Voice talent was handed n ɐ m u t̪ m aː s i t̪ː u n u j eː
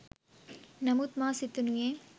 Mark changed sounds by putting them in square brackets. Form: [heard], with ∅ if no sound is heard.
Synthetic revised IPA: n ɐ m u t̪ m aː s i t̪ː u n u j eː